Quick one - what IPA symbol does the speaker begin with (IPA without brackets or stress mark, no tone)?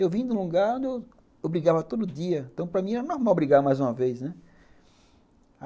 e